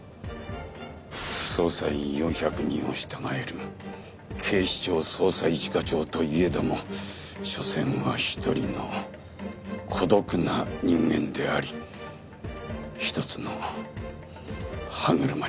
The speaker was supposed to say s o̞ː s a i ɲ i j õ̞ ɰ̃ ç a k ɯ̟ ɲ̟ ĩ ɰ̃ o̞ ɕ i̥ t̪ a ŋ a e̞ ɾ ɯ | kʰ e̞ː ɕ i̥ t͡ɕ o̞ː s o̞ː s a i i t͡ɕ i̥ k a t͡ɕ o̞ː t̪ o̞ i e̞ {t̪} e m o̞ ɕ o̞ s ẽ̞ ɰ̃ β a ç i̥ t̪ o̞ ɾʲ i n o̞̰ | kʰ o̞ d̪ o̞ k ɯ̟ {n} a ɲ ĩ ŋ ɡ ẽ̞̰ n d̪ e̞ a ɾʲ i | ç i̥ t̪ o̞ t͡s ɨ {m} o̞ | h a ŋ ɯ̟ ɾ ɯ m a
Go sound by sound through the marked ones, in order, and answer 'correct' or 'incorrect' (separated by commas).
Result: incorrect, correct, incorrect